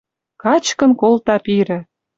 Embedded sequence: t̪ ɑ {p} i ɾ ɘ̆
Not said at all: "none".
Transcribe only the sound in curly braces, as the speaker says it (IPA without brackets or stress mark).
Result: p